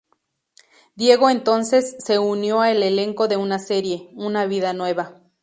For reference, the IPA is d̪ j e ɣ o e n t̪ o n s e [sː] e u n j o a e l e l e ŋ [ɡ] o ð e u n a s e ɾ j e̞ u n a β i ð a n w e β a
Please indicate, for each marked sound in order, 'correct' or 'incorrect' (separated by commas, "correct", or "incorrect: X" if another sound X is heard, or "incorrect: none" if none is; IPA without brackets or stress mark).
correct, incorrect: k